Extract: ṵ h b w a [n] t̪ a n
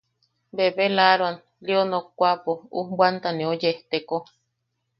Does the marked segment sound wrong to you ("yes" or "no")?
no